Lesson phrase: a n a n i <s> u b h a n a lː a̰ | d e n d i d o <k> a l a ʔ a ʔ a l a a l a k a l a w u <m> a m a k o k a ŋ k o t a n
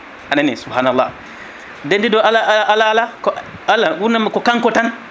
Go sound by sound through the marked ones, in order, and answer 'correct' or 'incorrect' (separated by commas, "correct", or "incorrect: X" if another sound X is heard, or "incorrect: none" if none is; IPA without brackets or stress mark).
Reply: correct, incorrect: none, incorrect: n